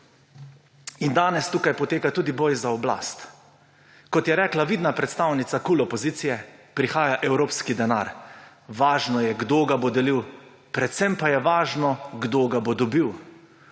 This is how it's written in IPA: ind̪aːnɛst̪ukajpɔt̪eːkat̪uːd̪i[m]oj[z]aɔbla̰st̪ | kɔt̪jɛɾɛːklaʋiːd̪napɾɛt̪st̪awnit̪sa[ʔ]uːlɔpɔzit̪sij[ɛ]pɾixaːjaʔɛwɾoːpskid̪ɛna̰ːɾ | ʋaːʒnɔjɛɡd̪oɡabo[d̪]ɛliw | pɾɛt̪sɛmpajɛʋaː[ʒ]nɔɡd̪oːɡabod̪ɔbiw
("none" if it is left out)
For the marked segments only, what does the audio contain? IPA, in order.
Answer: b, z, k, ɛ, d̪, ʒ

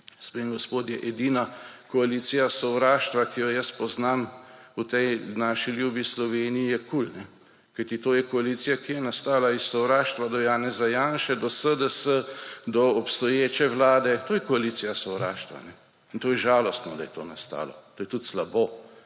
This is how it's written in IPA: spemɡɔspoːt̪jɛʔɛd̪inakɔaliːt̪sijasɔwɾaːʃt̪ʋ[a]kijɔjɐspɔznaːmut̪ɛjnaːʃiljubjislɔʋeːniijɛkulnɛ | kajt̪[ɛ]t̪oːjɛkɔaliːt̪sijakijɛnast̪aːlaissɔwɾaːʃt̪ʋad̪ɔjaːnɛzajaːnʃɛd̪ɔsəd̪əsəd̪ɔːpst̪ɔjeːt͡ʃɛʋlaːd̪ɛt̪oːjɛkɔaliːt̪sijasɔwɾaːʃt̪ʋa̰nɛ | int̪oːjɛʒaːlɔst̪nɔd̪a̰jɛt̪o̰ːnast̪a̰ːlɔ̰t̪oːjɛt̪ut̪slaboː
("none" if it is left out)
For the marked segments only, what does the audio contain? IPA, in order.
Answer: a, i

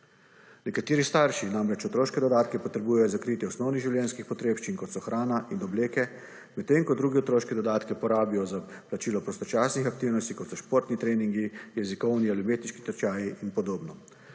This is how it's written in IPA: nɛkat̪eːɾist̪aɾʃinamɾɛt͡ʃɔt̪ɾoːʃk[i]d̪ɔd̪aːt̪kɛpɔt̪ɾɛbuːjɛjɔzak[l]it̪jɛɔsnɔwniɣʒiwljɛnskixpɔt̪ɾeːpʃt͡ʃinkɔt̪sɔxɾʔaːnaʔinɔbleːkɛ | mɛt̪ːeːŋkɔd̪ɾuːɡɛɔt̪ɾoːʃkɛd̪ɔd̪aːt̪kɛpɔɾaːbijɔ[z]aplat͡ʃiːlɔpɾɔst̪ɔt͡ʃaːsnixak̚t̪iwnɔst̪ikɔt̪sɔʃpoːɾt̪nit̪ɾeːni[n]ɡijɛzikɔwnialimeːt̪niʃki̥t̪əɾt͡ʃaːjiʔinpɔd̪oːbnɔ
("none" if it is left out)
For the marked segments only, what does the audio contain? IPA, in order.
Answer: ɛ, ɾ, z, ŋ

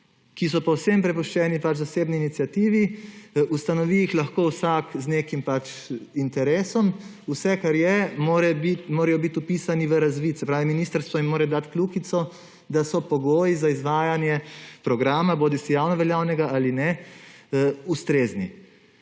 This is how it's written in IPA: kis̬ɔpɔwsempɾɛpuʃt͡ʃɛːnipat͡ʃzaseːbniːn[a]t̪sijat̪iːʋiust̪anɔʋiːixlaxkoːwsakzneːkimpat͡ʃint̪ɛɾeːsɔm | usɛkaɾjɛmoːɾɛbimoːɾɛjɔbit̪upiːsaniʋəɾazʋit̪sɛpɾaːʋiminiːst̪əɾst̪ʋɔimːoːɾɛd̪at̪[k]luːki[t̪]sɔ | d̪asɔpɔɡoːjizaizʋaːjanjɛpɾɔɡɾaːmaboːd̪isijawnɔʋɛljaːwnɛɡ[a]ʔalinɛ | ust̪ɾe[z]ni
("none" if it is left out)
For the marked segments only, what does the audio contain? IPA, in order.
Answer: i, k, t̪, a, z

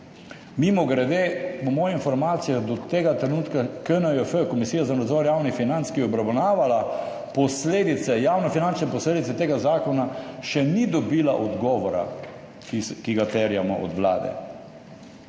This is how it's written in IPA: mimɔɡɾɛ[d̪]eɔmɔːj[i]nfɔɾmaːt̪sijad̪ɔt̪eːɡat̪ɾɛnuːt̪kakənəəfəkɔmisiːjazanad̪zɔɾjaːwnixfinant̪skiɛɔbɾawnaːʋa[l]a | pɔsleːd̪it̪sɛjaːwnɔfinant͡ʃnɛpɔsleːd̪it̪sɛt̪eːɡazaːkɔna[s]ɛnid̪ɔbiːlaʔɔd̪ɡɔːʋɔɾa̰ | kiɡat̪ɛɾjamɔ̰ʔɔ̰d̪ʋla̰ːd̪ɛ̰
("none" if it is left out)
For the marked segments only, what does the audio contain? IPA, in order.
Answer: d̪, i, l, ʃ

